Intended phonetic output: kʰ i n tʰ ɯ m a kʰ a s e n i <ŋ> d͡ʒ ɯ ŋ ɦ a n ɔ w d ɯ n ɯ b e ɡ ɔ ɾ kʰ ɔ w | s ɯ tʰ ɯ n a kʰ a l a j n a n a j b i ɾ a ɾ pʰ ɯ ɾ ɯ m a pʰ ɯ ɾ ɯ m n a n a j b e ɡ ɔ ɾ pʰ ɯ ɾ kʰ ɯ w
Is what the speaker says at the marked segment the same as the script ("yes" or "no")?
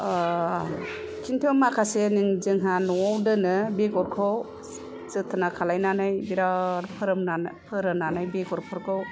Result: yes